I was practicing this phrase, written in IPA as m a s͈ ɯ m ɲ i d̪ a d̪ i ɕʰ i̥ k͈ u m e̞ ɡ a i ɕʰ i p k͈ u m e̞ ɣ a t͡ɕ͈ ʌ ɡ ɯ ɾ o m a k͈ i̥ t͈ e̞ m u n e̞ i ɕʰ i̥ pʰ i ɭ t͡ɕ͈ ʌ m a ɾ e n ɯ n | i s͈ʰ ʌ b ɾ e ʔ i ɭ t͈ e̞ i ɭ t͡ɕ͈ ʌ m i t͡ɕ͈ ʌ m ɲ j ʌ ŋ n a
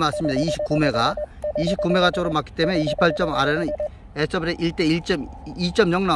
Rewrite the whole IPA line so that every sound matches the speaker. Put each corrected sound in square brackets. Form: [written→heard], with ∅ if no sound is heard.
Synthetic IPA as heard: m a s͈ ɯ m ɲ i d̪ a [d̪→∅] i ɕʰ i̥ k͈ u m e̞ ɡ a i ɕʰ i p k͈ u m e̞ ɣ a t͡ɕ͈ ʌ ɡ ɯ ɾ o m a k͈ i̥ t͈ e̞ m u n e̞ i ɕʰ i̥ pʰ [i→a] ɭ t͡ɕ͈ ʌ m a ɾ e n ɯ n | [i→e] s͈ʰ ʌ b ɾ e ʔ i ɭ t͈ e̞ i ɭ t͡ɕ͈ ʌ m i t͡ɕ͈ ʌ m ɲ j ʌ ŋ n a